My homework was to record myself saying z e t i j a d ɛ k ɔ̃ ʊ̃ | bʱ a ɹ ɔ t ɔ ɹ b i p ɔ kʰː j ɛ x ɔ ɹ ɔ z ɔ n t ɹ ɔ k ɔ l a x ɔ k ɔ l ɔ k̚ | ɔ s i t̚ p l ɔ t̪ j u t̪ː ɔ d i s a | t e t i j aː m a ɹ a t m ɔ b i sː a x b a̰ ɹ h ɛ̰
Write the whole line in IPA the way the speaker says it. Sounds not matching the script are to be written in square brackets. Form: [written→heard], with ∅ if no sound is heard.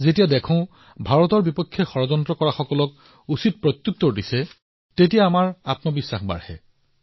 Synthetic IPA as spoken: z e t i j a d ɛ [k→kʰ] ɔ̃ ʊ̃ | bʱ a ɹ ɔ t ɔ ɹ b i p ɔ kʰː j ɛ x ɔ ɹ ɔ z ɔ n t ɹ ɔ k ɔ [l→ɹ] a x ɔ k ɔ l ɔ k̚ | [ɔ→u] s i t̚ p [l→ɹ] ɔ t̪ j u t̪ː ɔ d i s [a→ɛ] | t e t i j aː m a ɹ a t m ɔ b i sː a x b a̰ ɹ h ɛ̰